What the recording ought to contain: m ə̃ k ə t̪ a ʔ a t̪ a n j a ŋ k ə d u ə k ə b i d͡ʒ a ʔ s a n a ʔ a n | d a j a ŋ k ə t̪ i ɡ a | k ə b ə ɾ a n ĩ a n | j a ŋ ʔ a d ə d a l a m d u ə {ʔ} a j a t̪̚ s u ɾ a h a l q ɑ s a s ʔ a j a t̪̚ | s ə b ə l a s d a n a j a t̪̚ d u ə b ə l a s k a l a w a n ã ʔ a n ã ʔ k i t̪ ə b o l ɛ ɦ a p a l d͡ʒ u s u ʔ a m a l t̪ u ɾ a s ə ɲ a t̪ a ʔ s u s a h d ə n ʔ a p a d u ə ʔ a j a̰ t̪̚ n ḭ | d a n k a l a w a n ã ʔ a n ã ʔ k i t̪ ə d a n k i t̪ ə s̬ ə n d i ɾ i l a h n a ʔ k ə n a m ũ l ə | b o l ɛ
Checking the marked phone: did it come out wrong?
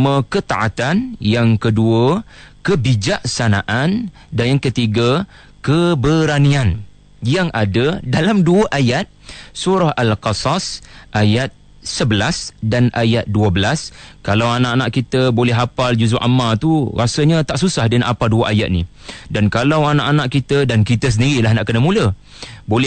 no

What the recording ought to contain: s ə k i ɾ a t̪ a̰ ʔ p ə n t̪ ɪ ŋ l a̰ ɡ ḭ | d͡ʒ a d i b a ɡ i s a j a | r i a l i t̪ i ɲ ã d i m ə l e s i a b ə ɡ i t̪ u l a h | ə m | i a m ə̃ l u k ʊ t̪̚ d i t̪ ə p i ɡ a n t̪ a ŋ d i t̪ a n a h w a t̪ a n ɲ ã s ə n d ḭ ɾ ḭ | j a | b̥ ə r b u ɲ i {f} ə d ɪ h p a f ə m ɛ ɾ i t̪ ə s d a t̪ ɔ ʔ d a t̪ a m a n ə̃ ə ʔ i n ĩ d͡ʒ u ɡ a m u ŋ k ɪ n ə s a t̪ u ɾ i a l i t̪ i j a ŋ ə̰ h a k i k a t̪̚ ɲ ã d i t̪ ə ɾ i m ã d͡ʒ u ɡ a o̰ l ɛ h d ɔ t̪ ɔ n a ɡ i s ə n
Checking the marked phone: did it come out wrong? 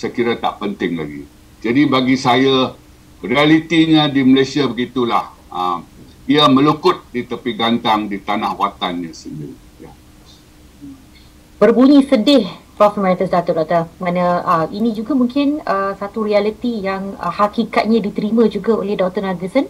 yes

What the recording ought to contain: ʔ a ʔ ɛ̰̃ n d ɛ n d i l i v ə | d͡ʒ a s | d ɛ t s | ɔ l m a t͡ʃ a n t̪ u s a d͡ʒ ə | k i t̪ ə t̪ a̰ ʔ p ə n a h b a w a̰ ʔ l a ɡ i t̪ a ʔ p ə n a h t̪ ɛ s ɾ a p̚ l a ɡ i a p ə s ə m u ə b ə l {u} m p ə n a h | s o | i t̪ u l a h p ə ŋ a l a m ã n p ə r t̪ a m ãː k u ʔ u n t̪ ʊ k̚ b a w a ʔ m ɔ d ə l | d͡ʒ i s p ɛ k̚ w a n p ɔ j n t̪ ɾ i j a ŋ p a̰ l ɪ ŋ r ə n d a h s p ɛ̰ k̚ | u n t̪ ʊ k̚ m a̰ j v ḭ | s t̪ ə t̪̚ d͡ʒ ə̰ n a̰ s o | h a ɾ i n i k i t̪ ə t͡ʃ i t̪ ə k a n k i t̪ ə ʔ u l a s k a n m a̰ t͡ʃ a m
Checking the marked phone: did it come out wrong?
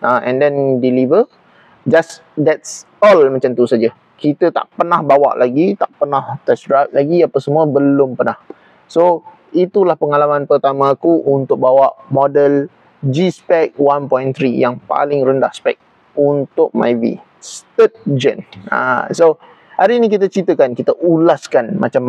yes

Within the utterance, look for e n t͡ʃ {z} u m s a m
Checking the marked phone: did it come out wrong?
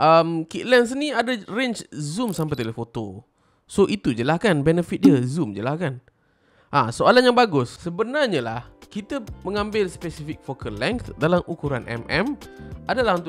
no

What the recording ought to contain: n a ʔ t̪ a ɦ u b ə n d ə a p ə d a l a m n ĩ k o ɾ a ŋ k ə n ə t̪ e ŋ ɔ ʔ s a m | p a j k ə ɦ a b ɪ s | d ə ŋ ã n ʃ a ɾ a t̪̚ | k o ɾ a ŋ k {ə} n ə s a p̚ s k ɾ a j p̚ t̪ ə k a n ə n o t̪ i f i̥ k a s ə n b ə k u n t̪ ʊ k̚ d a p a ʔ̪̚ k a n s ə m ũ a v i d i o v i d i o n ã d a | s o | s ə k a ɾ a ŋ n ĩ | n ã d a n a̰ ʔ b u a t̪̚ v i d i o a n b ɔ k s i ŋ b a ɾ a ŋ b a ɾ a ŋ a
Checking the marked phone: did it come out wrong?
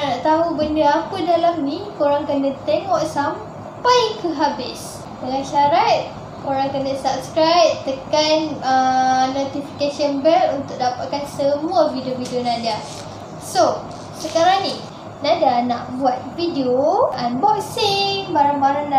no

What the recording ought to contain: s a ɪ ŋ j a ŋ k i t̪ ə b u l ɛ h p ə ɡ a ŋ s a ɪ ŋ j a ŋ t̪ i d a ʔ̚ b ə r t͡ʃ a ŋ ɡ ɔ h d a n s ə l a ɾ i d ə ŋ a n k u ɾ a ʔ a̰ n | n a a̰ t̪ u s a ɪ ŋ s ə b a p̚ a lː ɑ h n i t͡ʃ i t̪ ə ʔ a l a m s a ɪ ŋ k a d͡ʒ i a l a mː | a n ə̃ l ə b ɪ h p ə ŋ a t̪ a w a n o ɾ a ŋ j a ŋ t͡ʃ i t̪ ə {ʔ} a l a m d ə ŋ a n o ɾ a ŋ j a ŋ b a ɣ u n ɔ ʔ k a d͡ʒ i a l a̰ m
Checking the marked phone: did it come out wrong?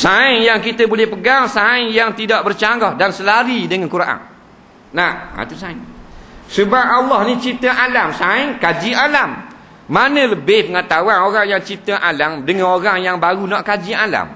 no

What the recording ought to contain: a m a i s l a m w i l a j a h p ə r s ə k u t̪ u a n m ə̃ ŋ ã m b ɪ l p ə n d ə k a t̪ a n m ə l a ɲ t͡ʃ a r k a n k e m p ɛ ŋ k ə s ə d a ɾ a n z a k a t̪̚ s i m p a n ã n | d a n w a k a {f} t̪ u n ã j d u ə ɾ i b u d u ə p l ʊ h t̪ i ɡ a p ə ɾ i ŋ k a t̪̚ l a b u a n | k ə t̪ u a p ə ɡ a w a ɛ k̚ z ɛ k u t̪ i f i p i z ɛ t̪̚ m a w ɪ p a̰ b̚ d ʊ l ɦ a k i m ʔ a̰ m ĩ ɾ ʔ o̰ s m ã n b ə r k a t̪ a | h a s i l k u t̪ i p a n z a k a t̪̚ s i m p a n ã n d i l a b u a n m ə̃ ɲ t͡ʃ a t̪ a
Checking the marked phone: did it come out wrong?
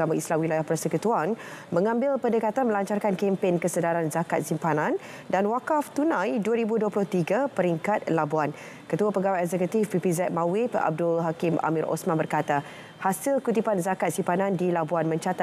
no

